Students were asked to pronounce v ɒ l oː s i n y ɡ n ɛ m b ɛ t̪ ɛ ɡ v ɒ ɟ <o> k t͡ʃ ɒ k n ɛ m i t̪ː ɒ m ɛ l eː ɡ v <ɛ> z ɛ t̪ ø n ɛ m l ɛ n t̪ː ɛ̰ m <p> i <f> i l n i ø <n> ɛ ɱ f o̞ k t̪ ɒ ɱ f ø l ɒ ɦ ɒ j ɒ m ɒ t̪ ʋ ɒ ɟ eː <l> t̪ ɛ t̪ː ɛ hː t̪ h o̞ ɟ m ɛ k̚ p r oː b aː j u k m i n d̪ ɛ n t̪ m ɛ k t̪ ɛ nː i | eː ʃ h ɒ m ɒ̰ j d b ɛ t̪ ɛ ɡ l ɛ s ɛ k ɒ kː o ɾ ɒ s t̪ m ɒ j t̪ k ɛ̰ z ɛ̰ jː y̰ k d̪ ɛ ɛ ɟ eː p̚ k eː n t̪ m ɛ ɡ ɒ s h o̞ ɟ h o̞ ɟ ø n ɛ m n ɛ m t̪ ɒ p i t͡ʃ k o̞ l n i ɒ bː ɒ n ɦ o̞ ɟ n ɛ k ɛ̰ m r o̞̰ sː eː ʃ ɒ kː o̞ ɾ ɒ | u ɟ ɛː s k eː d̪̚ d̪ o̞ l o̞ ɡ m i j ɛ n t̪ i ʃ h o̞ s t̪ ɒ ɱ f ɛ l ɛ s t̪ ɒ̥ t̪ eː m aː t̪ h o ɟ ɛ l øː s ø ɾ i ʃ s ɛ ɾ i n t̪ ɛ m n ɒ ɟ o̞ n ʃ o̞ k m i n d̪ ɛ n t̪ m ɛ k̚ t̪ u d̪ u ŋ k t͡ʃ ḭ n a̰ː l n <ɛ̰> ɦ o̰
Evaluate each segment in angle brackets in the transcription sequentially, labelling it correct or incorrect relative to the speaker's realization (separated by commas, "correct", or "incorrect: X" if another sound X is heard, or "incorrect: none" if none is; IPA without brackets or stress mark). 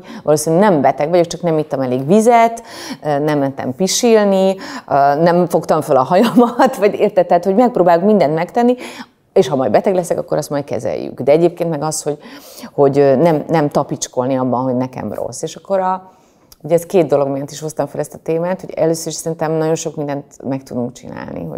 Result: correct, incorrect: i, correct, incorrect: ʃ, correct, incorrect: r, incorrect: ḭ